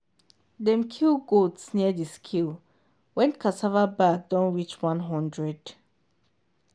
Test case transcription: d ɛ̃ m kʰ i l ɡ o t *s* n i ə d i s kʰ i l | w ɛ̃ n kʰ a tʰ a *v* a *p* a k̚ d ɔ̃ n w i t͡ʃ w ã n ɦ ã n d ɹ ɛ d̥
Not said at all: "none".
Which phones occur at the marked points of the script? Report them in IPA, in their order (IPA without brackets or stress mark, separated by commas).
s, v, b